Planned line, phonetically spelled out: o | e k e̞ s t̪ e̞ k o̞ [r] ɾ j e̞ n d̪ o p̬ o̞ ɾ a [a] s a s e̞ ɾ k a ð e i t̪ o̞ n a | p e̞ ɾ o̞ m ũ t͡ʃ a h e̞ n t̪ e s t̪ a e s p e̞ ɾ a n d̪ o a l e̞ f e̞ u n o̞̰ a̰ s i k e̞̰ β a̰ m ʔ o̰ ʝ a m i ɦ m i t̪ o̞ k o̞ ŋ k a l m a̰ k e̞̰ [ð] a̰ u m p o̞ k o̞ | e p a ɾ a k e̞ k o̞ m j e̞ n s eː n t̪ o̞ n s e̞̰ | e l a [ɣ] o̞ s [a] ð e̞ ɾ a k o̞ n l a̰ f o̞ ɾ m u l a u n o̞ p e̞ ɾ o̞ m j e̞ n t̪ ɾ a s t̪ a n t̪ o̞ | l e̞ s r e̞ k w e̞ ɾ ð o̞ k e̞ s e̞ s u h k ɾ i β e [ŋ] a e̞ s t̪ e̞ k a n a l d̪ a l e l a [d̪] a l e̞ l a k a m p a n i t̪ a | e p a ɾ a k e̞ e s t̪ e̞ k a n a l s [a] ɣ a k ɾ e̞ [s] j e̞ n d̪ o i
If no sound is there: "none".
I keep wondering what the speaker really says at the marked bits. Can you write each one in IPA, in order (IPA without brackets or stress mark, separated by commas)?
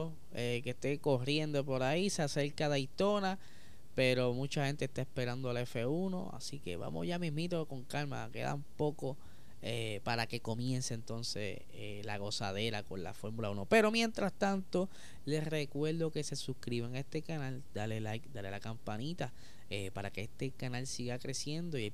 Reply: r, i, ð, ɣ, a, ŋ, d̪, i, s